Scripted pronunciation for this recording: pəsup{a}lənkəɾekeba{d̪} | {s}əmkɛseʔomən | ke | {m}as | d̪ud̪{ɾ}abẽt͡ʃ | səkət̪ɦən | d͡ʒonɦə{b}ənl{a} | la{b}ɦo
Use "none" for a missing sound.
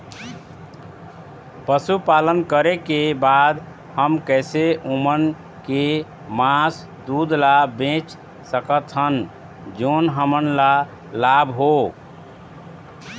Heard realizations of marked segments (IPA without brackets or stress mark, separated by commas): a, d̪, h, m, l, m, a, b